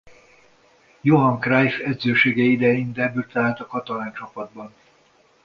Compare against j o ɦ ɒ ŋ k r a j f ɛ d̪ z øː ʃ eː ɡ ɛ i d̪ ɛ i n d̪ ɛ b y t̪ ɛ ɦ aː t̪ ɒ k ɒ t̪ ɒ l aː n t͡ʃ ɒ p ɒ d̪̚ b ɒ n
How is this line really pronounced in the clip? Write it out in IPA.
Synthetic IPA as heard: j o ɦ ɒ ŋ k r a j f ɛ d̪ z øː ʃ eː ɡ ɛ i d̪ ɛ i n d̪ ɛ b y t̪ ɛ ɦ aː t̪ ɒ k ɒ t̪ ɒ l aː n t͡ʃ ɒ p ɒ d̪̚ b ɒ n